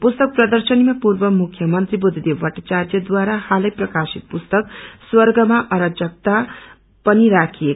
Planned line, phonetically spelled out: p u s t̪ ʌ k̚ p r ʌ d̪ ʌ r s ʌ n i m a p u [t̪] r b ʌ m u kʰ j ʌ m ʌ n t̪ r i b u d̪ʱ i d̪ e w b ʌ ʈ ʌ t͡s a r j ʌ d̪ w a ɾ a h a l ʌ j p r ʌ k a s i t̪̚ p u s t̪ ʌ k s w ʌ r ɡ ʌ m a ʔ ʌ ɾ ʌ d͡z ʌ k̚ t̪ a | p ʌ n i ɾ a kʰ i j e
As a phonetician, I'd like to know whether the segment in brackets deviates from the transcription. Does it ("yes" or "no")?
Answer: yes